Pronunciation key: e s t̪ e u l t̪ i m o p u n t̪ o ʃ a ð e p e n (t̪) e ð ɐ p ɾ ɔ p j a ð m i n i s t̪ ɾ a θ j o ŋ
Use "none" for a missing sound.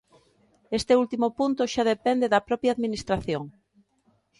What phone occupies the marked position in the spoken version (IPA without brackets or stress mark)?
d̪